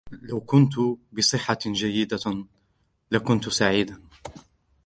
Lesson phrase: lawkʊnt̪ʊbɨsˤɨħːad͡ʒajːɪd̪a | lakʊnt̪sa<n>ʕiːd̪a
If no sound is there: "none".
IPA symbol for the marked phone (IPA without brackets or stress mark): none